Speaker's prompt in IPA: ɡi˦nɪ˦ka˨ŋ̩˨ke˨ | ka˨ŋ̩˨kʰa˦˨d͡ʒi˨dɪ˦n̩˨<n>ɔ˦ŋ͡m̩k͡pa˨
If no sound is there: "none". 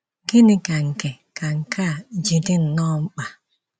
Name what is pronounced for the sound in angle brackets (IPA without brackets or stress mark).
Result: n